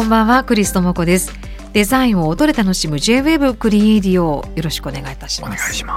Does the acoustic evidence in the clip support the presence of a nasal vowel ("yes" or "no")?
yes